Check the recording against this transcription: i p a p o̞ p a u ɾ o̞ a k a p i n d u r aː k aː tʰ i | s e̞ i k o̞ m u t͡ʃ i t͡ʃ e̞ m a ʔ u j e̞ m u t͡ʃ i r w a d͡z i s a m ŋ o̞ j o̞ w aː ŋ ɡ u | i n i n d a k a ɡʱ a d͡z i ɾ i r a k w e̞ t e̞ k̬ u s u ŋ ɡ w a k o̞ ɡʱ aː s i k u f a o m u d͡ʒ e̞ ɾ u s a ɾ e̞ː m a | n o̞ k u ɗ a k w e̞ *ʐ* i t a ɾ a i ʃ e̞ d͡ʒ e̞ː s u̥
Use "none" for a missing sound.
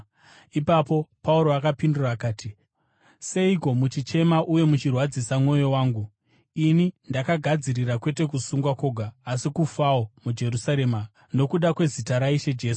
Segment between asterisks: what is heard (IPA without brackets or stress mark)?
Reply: z